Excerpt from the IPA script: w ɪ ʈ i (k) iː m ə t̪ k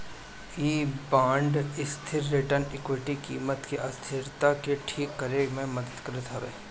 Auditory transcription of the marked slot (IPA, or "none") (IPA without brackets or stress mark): k